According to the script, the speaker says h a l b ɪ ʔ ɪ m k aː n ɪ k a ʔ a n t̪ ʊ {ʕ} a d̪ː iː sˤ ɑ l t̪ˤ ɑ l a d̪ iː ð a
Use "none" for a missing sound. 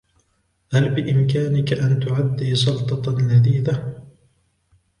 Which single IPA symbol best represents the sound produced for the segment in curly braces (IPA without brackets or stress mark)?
ʕ